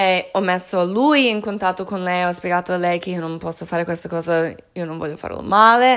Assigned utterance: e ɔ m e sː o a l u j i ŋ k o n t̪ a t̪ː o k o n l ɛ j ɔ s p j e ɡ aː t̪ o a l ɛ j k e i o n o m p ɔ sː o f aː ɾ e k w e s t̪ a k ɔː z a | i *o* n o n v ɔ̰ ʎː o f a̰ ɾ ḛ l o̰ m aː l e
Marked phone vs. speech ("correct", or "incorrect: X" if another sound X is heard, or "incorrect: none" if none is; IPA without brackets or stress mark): correct